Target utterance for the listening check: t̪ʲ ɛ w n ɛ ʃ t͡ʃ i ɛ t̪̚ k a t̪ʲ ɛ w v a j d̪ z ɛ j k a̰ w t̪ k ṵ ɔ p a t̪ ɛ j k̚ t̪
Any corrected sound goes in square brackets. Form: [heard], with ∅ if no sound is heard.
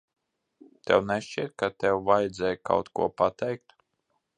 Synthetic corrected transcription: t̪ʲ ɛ w n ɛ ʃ t͡ʃ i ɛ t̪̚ k a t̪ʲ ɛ w v a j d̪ z ɛ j k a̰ w t̪ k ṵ ɔ p a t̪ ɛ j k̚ t̪